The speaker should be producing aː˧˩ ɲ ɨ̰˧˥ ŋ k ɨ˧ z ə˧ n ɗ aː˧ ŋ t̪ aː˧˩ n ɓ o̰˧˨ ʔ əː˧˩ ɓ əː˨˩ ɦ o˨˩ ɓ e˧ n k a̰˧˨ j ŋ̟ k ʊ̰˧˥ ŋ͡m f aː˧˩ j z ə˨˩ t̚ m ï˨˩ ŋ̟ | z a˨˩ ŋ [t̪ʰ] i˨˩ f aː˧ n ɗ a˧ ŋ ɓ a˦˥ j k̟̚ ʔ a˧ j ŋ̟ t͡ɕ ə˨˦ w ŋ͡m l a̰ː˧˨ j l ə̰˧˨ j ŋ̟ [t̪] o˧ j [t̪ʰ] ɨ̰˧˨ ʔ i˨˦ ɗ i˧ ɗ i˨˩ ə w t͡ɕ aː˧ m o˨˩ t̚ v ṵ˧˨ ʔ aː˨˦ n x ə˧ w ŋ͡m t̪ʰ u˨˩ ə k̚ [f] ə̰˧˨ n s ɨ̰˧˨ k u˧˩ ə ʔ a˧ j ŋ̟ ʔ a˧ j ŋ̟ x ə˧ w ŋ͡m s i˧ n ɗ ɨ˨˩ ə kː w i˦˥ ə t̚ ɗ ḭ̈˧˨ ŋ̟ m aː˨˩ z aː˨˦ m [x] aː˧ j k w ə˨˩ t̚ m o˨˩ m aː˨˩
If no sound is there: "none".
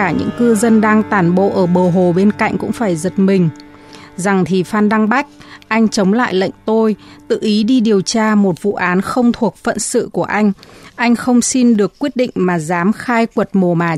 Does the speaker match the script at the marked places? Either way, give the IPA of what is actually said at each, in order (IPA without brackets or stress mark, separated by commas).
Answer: t̪ʰ, t̪, t̪, f, x